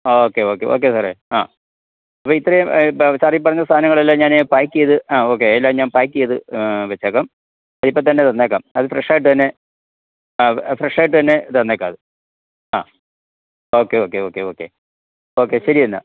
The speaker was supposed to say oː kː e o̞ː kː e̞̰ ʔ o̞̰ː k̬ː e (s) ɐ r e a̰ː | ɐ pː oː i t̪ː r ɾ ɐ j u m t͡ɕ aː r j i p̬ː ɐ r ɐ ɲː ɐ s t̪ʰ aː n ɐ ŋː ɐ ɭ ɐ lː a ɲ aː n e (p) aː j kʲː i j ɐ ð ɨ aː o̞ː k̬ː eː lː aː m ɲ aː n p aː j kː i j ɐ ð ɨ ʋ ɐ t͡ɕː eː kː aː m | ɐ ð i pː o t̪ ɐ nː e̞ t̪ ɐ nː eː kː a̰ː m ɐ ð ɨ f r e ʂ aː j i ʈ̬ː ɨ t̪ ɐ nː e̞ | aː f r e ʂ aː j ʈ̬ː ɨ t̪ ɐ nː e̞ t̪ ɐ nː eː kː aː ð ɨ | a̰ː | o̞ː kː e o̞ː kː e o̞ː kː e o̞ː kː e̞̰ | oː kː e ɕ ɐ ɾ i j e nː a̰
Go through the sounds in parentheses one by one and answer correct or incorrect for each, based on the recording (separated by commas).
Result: correct, correct